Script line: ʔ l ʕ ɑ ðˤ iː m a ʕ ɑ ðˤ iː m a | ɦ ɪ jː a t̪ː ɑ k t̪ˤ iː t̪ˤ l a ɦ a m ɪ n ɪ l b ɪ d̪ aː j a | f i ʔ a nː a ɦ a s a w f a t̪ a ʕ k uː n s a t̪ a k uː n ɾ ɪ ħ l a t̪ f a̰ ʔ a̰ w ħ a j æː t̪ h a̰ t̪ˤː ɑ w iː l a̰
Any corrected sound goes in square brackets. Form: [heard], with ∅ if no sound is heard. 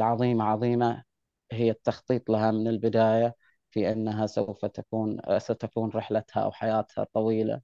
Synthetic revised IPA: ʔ l ʕ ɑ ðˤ iː m a ʕ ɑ ðˤ iː m a | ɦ ɪ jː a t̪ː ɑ [x] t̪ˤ iː t̪ˤ l a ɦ a m ɪ n ɪ l b ɪ d̪ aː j a | f i ʔ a nː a ɦ a s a w f a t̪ a [∅] k uː n s a t̪ a k uː n ɾ ɪ ħ l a t̪ [h] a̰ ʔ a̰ w ħ a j [aː] t̪ h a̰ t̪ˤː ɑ w iː l a̰